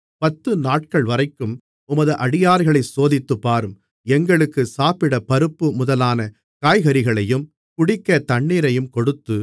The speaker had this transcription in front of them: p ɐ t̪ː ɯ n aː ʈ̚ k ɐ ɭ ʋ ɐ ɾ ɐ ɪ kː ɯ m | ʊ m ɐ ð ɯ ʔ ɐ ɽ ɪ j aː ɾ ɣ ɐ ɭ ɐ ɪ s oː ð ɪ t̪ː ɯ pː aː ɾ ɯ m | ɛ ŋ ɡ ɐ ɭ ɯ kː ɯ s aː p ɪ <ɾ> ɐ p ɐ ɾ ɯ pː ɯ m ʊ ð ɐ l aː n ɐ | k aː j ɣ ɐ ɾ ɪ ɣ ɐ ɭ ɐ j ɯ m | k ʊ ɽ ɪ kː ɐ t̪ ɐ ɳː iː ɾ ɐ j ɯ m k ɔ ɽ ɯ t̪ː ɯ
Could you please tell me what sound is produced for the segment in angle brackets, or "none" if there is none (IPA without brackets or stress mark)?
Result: ɽ